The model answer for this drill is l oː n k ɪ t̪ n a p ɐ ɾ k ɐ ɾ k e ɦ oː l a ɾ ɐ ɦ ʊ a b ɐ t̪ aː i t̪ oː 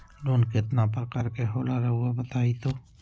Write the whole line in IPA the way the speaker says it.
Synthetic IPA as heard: l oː n k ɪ t̪ n a p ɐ ɾ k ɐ ɾ k e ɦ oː l a ɾ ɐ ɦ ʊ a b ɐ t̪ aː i t̪ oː